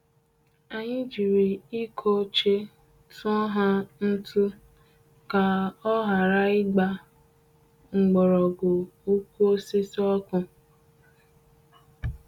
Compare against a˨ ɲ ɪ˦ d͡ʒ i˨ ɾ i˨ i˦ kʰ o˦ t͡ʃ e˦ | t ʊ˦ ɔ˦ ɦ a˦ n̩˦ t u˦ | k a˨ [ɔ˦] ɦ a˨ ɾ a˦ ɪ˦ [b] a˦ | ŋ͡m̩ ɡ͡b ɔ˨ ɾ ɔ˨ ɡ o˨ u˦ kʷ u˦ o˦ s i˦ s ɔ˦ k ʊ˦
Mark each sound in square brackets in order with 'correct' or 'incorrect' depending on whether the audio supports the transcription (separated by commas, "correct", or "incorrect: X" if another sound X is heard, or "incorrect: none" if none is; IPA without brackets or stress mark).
correct, incorrect: ɡ͡b